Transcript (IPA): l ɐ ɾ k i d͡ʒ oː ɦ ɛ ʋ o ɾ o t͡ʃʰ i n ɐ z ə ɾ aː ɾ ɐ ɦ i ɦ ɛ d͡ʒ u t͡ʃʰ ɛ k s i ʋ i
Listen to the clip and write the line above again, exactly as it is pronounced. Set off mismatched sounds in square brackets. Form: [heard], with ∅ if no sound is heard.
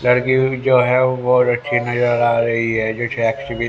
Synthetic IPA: l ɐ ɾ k i d͡ʒ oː ɦ ɛ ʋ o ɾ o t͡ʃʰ i n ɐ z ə ɾ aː ɾ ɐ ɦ i ɦ ɛ d͡ʒ [o] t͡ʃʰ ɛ k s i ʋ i